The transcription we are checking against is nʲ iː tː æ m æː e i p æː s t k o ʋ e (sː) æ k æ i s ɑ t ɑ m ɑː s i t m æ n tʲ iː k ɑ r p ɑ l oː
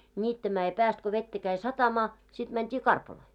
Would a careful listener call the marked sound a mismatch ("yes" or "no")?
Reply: yes